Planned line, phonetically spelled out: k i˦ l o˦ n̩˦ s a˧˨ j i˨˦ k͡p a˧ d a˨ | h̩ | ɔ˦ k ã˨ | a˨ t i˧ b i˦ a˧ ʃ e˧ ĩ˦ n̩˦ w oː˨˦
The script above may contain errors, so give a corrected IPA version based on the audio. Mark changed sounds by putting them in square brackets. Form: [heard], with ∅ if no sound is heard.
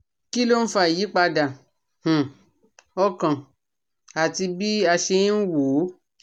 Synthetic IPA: k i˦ l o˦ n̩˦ [f] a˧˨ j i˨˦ k͡p a˧ d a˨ | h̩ | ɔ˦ k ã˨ | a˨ t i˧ b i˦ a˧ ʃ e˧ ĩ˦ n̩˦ w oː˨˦